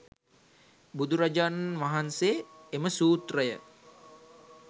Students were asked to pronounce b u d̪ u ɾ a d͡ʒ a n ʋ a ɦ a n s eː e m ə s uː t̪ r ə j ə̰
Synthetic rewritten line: b u d̪ u ɾ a d͡ʒ a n ʋ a ɦ a n s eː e m ə s uː t̪ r ə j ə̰